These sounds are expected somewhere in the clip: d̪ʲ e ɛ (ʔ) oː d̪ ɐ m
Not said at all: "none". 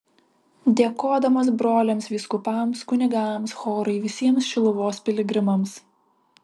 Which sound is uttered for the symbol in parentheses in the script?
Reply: k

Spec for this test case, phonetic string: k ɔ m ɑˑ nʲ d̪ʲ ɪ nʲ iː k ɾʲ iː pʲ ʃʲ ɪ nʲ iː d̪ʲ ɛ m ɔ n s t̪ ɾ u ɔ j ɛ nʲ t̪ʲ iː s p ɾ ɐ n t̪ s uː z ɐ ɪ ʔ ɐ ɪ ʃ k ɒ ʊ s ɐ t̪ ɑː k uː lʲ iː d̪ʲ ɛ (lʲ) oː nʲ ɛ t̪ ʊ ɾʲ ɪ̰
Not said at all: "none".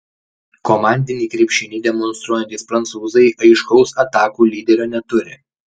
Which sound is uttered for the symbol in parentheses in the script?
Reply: ɾʲ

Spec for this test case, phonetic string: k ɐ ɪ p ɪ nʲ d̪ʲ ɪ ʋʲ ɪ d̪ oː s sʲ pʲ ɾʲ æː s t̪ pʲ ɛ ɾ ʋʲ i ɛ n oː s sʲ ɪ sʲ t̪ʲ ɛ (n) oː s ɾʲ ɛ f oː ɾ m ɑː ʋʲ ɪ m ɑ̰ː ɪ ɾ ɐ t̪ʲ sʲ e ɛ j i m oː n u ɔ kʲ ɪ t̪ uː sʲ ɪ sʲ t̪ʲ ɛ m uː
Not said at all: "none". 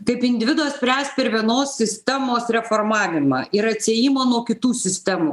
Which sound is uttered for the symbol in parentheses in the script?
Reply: m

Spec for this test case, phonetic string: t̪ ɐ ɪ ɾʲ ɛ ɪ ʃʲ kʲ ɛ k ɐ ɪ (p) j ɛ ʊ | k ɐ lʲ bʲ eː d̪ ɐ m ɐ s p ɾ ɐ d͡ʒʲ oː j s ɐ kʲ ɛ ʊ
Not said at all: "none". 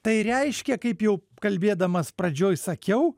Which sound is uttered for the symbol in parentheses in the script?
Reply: p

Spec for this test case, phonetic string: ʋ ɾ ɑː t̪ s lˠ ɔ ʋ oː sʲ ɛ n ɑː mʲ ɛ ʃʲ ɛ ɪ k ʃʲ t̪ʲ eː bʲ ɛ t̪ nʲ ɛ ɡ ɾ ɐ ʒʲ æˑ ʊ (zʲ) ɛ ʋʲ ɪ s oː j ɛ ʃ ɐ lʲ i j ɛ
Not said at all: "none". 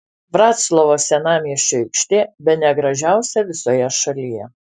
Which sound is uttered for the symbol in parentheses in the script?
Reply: sʲ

